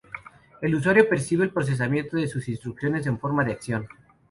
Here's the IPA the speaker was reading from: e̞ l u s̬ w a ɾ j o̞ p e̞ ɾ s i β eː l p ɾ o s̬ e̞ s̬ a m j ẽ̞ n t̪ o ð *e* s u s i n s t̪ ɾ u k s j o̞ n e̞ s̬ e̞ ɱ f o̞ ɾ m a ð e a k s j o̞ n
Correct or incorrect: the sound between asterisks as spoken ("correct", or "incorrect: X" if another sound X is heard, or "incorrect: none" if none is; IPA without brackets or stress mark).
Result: correct